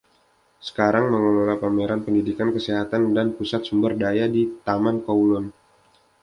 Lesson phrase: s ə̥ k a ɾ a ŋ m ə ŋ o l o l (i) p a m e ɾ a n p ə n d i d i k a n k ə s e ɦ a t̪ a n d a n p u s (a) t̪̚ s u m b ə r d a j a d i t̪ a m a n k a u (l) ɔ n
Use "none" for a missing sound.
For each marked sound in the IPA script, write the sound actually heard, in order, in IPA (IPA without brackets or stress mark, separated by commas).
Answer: a, a, l